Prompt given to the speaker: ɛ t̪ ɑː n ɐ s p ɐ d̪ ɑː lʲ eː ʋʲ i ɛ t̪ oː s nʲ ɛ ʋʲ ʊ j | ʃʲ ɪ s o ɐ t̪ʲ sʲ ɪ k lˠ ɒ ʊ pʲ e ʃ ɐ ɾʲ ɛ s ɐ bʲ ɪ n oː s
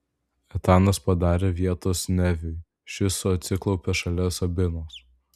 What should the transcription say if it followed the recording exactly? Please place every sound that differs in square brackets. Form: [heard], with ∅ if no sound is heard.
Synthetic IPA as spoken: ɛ t̪ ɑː n ɐ s p ɐ d̪ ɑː [ɾʲ] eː ʋʲ i ɛ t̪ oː s nʲ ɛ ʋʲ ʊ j | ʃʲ ɪ s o ɐ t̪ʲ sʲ ɪ k lˠ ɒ ʊ pʲ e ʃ ɐ [lʲ] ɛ s ɐ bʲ ɪ n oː s